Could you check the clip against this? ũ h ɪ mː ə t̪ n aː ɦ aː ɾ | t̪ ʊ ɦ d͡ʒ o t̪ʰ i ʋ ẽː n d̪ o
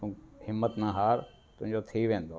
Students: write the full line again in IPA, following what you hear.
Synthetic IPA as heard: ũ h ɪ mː ə t̪ n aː ɦ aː ɾ | t̪ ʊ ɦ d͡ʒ o t̪ʰ i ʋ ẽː n d̪ o